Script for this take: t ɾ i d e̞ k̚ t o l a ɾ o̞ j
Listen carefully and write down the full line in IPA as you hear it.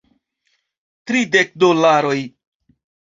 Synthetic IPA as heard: t ɾ i d e̞ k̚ d o l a ɾ o̞ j